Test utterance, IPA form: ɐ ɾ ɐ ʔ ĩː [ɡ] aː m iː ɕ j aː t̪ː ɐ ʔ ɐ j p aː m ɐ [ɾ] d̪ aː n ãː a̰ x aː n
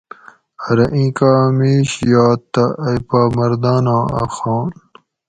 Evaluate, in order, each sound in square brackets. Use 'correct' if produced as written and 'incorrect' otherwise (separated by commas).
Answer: incorrect, correct